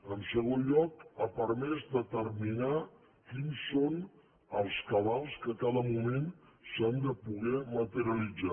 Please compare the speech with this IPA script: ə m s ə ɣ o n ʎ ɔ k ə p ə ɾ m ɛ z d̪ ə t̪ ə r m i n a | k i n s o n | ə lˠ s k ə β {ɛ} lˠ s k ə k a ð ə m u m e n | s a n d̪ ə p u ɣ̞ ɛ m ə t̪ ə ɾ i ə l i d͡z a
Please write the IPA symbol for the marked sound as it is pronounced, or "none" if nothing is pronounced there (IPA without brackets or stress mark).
a